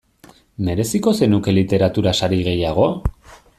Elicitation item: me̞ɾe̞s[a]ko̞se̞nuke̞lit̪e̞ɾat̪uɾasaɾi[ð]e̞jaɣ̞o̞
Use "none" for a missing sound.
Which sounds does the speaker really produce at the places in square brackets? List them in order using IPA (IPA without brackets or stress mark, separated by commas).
i, ɣ